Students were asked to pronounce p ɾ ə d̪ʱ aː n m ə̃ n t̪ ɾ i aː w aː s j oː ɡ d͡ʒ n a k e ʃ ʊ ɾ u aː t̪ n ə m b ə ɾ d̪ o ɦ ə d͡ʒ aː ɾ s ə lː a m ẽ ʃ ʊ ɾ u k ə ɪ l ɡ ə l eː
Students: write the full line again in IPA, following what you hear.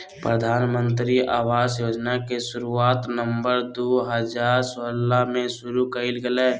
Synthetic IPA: p ɾ ə d̪ʱ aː n m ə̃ n t̪ ɾ i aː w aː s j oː d͡ʒ n a k e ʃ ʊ ɾ u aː t̪ n ə m b ə ɾ d̪ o ɦ ə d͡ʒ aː ɾ s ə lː a m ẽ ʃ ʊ ɾ u k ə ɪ l ɡ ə l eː